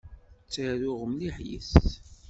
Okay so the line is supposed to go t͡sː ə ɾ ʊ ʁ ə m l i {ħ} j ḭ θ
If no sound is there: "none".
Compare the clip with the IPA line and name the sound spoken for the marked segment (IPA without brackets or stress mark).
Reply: ħ